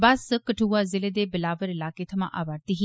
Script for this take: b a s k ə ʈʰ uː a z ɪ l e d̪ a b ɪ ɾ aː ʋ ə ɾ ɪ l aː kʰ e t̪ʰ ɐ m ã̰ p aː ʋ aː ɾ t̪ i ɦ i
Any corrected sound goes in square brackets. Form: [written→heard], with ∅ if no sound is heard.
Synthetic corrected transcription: b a s k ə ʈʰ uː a z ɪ l e d̪ [a→e] b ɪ [ɾ→l] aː ʋ ə ɾ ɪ l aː [kʰ→k] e t̪ʰ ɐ m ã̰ [p→ʔ] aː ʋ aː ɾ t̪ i ɦ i